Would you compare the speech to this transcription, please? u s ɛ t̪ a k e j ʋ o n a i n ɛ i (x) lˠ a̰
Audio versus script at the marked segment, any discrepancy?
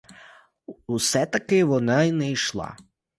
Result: yes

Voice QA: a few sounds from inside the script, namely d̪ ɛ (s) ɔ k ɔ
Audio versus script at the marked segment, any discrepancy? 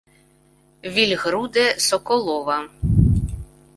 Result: no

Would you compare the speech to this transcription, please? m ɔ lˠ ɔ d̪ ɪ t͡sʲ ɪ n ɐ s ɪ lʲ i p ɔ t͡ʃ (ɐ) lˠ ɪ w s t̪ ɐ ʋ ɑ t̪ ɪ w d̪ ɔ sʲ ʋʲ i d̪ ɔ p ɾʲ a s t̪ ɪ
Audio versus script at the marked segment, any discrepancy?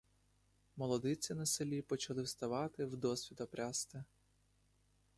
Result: no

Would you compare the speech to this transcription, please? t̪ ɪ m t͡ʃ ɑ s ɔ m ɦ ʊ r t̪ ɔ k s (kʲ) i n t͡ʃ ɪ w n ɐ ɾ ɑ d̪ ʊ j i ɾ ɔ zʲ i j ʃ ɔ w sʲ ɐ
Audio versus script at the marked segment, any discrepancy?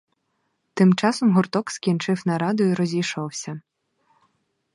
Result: no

